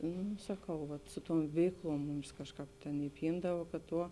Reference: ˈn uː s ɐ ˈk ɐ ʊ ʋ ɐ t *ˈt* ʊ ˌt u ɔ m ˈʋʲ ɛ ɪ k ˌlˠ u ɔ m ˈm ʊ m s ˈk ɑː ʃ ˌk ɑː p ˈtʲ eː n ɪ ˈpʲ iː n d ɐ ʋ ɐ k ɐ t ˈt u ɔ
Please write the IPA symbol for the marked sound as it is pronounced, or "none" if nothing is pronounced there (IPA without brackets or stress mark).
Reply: s